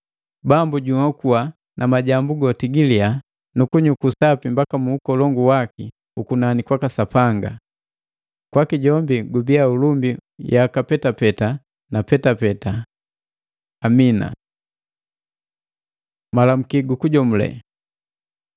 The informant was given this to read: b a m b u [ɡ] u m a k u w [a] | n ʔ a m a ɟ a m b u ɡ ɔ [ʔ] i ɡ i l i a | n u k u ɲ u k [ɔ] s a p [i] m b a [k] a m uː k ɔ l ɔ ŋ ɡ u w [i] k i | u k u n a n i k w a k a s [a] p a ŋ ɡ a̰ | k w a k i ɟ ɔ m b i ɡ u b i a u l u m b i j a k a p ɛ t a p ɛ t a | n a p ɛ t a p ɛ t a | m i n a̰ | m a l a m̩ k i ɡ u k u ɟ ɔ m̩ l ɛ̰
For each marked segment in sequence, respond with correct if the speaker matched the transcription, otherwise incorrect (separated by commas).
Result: incorrect, correct, incorrect, incorrect, correct, correct, incorrect, correct